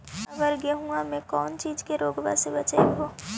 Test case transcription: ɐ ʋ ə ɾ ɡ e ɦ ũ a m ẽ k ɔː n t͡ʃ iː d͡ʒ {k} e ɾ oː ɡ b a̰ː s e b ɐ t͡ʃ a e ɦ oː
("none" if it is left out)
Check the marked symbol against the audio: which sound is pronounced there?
k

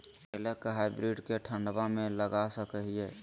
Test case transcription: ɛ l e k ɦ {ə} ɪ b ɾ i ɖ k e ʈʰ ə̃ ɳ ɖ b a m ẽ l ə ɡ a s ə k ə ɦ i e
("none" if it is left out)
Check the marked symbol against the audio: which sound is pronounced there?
a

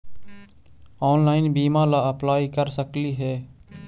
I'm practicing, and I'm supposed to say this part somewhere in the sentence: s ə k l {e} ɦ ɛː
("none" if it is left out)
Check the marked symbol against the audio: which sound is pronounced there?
i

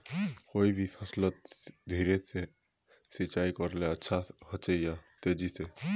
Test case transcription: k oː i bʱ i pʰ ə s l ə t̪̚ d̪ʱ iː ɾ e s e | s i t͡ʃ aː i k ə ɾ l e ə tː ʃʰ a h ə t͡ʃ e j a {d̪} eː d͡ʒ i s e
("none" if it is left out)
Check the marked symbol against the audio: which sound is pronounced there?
t̪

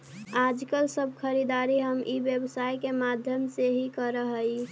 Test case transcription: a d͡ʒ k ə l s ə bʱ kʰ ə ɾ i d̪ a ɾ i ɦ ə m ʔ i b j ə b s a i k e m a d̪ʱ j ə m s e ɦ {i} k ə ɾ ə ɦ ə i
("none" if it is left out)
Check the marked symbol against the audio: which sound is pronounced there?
i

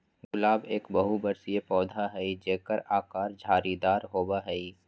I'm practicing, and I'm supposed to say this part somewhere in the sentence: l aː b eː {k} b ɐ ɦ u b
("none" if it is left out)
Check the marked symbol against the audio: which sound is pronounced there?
k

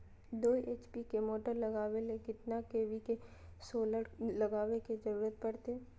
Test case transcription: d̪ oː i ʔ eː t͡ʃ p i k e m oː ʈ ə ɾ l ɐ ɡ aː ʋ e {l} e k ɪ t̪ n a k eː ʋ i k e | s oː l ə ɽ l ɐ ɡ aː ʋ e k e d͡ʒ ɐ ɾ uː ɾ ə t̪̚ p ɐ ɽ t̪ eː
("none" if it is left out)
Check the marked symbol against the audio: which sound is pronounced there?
l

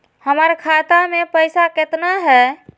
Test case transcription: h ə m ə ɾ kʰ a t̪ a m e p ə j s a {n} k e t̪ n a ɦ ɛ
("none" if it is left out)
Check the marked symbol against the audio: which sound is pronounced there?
none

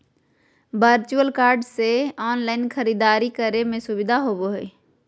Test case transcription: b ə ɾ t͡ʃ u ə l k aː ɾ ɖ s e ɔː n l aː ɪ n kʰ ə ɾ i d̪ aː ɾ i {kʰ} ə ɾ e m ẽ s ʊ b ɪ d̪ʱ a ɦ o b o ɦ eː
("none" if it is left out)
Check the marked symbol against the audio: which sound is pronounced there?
k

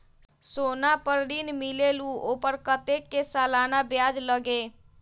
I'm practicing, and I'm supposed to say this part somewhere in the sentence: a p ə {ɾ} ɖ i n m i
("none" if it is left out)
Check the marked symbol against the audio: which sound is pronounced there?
ɾ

